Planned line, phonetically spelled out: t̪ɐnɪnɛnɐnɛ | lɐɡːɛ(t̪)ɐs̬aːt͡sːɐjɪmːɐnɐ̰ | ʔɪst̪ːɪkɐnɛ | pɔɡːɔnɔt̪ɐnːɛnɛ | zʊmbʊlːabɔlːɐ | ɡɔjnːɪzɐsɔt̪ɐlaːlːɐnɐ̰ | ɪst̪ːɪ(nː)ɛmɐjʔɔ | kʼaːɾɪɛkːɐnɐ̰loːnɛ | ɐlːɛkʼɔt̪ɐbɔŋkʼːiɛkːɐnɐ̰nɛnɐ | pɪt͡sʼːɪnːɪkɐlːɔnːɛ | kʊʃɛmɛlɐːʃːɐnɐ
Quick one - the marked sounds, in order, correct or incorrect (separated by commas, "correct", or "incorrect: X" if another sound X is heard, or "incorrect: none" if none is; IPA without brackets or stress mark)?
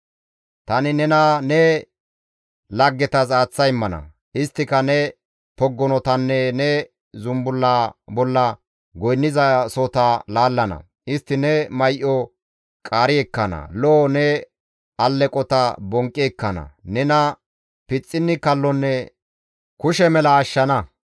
correct, incorrect: n